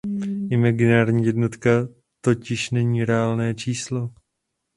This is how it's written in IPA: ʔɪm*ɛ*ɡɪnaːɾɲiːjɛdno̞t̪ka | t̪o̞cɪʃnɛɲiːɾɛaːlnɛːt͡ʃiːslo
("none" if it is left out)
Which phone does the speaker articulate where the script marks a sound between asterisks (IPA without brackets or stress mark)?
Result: a